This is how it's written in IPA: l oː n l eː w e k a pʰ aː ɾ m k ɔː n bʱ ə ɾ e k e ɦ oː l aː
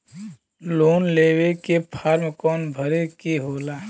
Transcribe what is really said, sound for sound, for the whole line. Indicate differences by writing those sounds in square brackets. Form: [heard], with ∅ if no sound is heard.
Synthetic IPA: l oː n l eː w e k [e] pʰ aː ɾ m k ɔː n bʱ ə ɾ e k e ɦ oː l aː